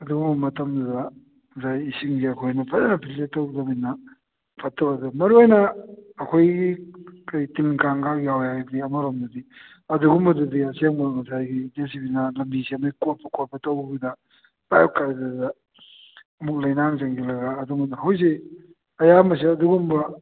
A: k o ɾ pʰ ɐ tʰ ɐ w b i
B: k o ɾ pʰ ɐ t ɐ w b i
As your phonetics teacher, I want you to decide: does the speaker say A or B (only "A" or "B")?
B